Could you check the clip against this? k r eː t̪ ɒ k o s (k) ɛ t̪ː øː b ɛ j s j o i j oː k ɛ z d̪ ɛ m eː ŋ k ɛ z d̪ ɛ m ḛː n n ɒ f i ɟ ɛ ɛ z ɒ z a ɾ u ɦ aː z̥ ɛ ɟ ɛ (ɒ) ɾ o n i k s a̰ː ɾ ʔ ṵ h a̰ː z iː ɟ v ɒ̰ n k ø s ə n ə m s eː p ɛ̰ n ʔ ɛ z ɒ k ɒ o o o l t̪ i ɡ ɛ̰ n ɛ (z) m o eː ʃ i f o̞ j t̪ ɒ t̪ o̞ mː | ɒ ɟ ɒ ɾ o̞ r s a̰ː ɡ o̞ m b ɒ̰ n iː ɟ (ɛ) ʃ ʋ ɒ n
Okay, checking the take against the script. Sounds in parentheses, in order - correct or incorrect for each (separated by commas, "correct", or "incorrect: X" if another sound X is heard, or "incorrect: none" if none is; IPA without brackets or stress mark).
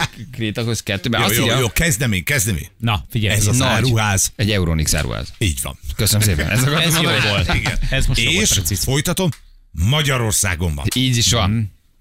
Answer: correct, incorrect: u, correct, incorrect: i